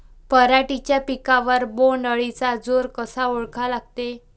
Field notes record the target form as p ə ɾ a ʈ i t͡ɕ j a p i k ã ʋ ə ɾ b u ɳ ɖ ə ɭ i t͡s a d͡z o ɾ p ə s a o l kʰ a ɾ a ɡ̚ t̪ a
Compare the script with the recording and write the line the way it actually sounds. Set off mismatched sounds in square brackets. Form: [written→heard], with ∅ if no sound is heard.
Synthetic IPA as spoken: p ə ɾ a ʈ i t͡ɕ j a p i k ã ʋ ə ɾ b [u→o] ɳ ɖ ə ɭ i t͡s a d͡z o ɾ [p→k] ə s a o [l→ɭ] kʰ a [ɾ→l] a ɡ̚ t̪ [a→e]